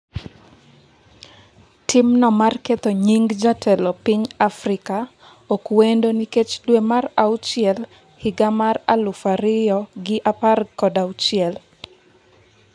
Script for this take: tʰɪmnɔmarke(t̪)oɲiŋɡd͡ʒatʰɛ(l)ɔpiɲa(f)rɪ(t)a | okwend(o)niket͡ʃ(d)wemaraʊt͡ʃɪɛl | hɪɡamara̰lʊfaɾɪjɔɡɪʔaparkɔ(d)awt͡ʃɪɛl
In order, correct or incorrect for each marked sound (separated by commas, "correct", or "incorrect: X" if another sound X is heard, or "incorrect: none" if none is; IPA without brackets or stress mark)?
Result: correct, correct, correct, incorrect: k, correct, correct, correct